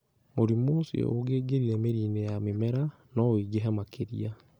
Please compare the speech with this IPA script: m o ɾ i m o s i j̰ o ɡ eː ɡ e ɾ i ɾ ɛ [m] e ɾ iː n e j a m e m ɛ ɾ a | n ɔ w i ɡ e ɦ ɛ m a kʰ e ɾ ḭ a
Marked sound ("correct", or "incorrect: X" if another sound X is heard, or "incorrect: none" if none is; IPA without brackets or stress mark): correct